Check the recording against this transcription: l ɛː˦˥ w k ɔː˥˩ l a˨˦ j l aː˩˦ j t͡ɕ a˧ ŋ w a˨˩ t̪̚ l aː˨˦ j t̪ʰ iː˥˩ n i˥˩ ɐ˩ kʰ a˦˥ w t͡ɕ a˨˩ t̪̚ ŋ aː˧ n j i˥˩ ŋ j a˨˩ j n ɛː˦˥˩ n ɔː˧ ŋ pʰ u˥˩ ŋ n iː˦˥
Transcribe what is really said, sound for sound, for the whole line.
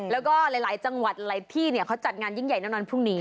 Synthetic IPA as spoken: l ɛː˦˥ w k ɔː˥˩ l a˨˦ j l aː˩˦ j t͡ɕ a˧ ŋ w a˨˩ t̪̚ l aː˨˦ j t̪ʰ iː˥˩ n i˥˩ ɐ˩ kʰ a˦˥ w t͡ɕ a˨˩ t̪̚ ŋ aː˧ n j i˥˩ ŋ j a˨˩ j n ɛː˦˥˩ n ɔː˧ n pʰ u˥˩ ŋ n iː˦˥